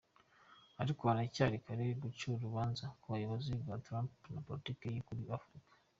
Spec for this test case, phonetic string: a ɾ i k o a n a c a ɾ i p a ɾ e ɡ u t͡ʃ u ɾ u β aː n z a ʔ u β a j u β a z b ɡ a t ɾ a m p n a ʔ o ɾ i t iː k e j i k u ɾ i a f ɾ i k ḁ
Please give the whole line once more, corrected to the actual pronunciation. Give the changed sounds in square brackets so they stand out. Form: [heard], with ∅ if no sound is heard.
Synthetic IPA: a ɾ i k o a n a c a ɾ i [k] a ɾ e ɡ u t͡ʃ u ɾ u β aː n z a [k] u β a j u β a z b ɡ a t ɾ a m p n a [p] o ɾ i t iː k e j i k u ɾ i a f ɾ i k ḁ